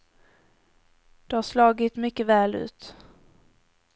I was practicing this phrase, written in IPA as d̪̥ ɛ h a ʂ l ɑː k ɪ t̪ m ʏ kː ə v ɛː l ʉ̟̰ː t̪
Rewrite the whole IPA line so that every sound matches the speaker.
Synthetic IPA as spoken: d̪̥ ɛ h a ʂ l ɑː ɡ ɪ t̪ m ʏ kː ə v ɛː l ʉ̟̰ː t̪